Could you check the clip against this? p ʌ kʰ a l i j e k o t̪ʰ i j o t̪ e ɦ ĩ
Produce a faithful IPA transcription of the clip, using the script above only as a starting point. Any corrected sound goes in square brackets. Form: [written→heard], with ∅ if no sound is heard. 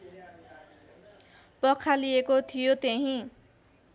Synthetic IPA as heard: p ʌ kʰ a l i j e k o t̪ʰ i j o t̪ e ɦ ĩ